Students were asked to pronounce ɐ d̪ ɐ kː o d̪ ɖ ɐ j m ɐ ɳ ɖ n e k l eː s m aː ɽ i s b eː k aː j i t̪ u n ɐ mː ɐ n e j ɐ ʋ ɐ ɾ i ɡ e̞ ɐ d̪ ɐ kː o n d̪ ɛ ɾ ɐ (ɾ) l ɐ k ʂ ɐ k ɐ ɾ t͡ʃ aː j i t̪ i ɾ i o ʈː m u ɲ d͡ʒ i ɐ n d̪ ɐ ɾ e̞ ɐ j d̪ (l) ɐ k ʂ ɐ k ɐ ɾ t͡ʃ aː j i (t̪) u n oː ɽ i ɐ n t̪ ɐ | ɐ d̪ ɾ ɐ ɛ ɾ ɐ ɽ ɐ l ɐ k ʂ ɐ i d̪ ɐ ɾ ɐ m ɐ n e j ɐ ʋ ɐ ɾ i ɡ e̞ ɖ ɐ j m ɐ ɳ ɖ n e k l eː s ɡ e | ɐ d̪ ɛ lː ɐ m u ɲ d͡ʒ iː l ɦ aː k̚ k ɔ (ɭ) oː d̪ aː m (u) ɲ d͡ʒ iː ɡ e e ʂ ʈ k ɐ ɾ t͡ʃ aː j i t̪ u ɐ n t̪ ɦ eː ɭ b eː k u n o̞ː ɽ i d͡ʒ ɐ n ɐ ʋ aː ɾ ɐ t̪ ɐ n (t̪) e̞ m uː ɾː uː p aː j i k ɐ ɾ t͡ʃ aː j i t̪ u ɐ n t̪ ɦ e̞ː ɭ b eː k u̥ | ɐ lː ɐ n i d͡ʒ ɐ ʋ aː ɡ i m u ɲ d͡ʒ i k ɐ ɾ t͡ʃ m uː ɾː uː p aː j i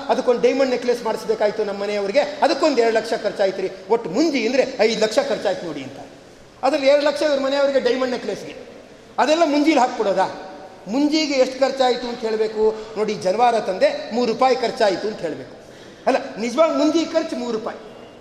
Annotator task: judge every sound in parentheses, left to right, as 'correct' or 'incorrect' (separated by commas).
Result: incorrect, correct, correct, incorrect, correct, incorrect